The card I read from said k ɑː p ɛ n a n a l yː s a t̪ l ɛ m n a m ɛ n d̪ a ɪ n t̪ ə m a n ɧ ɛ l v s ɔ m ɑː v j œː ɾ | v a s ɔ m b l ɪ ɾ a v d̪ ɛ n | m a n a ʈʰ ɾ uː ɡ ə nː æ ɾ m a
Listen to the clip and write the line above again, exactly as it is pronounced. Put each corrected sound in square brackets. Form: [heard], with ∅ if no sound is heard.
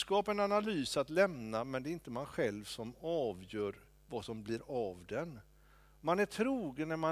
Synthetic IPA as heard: k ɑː p ɛ n a n a l yː s a t̪ l ɛ m n a m ɛ n d̪ [ɛ] ɪ n t̪ ə m a n ɧ ɛ l v s ɔ m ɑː v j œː ɾ | v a s ɔ m b l ɪ ɾ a v d̪ ɛ n | m a n [æ] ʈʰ ɾ uː ɡ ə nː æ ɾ m a